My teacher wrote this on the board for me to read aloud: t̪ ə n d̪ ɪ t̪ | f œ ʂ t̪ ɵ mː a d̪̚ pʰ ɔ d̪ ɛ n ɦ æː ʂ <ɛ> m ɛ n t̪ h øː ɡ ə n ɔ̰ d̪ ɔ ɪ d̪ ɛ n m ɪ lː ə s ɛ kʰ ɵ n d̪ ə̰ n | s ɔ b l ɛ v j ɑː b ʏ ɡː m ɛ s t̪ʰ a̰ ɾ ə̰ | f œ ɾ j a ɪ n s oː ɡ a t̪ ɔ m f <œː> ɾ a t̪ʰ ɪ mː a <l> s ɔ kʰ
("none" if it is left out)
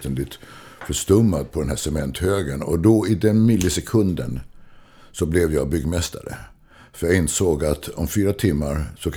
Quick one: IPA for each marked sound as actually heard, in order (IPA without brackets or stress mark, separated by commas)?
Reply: ɛ, yː, ɾ